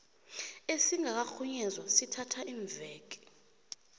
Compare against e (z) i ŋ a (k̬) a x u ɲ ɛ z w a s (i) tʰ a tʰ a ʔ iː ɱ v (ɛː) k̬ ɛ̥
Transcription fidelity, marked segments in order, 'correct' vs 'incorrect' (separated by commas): incorrect, correct, correct, correct